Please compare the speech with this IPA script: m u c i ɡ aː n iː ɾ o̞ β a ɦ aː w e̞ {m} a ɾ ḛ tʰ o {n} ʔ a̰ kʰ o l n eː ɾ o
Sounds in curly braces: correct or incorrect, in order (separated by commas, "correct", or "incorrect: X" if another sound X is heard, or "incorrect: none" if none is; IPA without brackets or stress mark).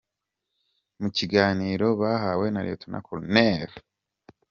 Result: incorrect: n, correct